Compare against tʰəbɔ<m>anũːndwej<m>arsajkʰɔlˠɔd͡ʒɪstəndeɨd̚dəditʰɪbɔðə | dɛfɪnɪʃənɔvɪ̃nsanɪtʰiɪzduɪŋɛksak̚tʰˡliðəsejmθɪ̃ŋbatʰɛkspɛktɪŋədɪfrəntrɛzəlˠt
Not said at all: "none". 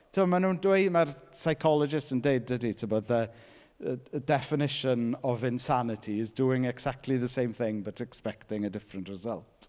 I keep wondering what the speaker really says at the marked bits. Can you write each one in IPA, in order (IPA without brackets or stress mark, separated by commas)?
m, m